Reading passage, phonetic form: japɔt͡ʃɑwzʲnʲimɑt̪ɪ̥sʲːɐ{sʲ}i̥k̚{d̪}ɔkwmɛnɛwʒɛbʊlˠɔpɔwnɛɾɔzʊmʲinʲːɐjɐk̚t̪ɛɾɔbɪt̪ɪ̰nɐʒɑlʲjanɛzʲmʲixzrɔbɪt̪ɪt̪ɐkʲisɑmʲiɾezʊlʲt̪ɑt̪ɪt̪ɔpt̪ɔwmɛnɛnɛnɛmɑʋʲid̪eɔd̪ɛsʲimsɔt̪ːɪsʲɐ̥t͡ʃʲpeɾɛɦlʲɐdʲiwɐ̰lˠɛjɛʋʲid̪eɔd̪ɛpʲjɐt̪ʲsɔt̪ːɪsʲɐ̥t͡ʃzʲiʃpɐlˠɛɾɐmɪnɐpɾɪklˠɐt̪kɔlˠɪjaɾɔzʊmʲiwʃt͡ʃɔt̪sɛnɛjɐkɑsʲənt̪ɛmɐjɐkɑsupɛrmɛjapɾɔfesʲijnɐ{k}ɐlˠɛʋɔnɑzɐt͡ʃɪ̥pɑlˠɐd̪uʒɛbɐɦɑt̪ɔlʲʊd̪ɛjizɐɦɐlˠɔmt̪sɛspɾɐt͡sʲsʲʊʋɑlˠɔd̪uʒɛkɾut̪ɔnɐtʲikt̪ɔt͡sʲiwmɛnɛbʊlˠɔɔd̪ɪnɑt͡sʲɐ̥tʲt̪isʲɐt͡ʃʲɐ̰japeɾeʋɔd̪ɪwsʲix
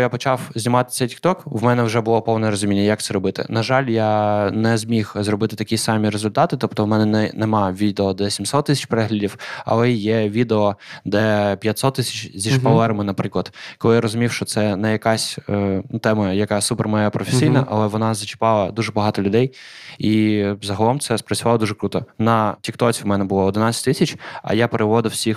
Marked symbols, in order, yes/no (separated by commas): no, no, no